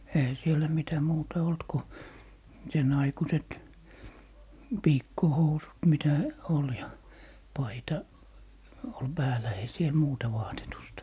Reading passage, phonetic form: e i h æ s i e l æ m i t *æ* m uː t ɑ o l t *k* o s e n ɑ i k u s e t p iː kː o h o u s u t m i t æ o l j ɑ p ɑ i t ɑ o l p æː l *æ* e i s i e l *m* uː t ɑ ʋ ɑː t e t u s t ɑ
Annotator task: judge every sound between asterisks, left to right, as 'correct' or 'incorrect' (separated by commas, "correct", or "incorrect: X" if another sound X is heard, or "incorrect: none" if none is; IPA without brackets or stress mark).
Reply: correct, correct, correct, correct